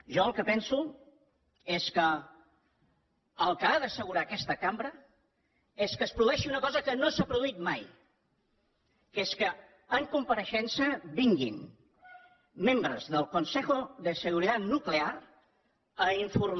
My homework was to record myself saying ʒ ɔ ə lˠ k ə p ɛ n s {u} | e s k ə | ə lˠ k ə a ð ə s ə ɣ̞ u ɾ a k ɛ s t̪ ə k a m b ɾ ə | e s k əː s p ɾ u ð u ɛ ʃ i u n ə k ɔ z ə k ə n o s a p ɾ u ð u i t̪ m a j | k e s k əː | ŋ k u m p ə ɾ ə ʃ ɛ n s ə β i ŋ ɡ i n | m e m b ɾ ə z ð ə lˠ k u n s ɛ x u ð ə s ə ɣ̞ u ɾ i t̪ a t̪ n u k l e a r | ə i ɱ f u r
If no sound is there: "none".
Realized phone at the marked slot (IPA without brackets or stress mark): u